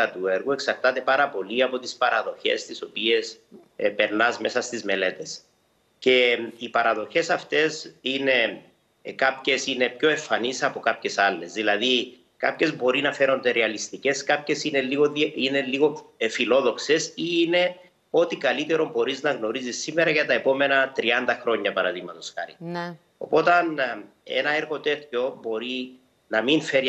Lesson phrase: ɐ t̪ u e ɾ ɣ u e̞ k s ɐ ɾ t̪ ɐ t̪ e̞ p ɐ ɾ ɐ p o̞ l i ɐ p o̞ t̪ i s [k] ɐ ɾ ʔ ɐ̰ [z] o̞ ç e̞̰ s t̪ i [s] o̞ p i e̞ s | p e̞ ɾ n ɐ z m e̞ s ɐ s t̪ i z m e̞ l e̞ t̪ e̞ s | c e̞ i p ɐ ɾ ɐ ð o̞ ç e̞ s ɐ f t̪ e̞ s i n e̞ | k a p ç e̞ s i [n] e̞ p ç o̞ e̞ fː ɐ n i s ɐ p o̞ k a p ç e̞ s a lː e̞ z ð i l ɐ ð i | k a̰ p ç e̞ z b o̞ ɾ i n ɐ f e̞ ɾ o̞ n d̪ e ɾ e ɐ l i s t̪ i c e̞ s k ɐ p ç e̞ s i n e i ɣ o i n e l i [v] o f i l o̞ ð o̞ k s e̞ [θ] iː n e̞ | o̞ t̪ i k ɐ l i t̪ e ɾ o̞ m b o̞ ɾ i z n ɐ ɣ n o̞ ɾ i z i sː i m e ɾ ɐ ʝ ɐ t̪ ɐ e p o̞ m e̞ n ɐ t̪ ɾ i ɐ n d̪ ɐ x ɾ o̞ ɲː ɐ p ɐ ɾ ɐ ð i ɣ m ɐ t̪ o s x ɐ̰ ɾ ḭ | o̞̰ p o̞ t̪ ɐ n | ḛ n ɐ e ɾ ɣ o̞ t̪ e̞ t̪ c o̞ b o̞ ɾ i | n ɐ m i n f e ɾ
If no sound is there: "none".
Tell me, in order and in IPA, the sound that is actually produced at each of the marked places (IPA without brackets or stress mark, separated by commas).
p, ð, s, n, ɣ, s